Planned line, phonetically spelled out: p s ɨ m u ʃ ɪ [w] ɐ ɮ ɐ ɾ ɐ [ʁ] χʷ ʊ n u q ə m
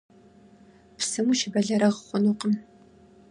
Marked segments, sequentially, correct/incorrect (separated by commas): incorrect, correct